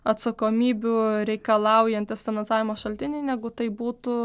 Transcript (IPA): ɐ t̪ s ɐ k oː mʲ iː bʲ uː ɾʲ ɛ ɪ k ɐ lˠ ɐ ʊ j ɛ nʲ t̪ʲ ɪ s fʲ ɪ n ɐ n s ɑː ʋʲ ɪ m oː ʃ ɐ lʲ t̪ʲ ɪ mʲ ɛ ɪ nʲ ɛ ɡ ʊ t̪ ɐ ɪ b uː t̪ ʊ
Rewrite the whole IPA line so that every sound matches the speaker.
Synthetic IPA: ɐ t̪ s ɐ k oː mʲ iː bʲ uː ɾʲ ɛ ɪ k ɐ lˠ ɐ ʊ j ɛ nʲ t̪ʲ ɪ s fʲ ɪ n ɐ n s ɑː ʋʲ ɪ m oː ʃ ɐ lʲ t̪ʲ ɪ nʲ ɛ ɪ nʲ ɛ ɡ ʊ t̪ ɐ ɪ b uː t̪ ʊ